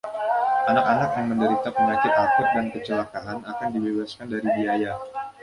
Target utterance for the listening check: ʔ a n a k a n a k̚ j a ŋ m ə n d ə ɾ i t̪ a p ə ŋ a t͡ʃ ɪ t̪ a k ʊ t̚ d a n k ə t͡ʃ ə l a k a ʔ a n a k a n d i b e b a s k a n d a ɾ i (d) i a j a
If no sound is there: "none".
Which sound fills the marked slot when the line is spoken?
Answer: b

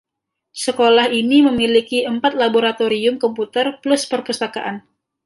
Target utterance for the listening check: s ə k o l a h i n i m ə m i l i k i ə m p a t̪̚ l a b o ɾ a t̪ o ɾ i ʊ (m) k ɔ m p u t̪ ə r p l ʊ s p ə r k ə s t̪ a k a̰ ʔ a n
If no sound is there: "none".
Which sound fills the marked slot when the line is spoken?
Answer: m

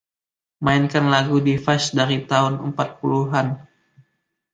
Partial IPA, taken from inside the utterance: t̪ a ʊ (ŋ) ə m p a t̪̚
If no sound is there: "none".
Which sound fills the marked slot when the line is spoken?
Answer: n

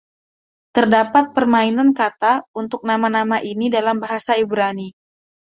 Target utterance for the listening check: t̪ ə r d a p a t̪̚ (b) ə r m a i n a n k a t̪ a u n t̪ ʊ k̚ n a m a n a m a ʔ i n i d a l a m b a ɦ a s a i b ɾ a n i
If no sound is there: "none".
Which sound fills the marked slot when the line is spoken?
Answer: p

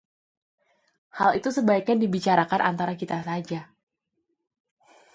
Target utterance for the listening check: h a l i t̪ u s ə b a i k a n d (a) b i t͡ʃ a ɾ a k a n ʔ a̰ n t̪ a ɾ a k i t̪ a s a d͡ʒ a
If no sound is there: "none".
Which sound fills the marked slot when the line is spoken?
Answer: i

